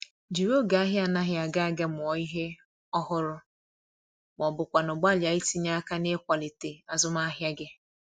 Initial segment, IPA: d͡ʒ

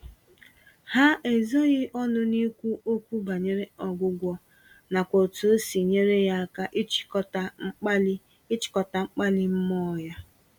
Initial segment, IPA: h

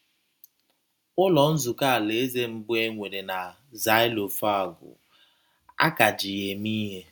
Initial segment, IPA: ʊ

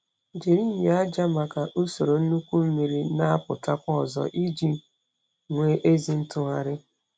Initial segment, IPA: d͡ʒ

